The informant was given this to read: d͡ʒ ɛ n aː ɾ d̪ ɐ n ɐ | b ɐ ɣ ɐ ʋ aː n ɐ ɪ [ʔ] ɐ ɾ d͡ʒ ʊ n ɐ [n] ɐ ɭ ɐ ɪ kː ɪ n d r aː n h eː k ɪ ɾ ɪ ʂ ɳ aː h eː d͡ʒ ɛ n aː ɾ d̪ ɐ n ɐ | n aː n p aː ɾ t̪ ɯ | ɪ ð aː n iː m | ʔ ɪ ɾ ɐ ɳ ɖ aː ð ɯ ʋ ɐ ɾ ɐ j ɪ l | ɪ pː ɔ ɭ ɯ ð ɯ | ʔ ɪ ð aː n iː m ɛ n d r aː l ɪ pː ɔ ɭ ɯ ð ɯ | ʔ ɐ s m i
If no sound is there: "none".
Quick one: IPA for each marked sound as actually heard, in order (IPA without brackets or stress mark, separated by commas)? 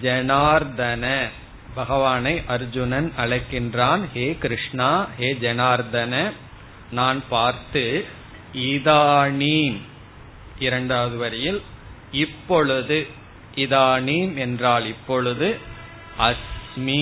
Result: ʔ, n